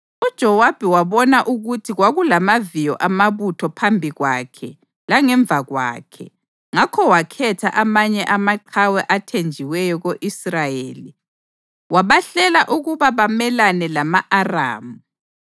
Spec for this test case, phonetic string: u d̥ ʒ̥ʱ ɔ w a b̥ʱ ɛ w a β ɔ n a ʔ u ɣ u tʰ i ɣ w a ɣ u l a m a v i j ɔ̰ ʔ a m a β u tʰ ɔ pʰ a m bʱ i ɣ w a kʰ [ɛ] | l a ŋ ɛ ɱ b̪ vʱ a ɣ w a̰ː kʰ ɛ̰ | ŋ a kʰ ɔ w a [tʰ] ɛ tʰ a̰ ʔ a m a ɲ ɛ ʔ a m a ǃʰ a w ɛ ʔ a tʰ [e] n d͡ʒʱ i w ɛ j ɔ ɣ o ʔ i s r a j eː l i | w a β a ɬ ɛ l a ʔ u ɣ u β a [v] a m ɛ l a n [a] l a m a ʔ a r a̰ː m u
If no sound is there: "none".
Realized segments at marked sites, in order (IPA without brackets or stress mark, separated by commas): ɛ, kʰ, e, β, ɛ